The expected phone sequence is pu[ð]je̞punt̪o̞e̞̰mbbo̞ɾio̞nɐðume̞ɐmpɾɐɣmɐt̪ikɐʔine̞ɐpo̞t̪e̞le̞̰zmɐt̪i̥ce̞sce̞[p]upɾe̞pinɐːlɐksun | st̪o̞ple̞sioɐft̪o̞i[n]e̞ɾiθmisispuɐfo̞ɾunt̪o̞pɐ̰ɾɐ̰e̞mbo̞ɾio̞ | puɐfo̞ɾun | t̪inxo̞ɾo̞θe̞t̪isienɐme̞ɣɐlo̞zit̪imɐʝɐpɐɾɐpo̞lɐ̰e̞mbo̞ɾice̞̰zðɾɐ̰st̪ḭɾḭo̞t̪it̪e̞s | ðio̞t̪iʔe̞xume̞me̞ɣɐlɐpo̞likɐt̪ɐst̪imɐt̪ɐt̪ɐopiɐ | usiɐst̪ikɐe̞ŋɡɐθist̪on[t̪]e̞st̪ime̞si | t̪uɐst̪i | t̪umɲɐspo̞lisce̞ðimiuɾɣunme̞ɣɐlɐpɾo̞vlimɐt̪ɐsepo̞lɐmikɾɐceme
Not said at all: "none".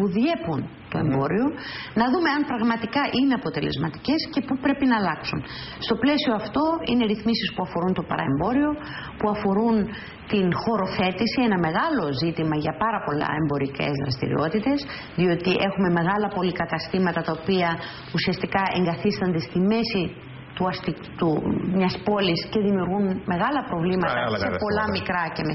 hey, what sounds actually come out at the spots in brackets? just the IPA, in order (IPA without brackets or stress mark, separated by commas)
ð, p, n, d̪